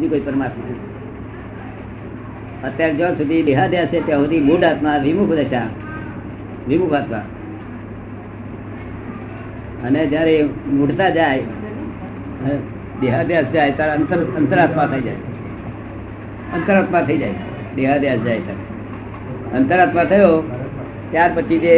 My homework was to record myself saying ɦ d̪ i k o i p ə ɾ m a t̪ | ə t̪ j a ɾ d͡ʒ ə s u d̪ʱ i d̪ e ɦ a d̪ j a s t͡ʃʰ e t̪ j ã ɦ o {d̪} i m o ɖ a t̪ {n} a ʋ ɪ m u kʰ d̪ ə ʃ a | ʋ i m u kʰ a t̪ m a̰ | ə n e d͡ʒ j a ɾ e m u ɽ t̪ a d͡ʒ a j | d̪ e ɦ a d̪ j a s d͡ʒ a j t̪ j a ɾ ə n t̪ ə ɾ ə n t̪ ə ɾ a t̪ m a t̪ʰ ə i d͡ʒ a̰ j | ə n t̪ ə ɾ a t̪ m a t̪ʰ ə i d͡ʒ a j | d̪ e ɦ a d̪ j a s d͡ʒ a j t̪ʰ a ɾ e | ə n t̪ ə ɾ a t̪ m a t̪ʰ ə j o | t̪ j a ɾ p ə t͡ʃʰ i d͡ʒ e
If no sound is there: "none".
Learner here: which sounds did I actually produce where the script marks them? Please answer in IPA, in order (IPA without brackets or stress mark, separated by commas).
d̪, m